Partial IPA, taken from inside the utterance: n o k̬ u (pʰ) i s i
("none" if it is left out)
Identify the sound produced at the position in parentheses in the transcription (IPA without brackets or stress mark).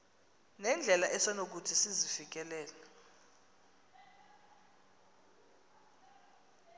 tʰ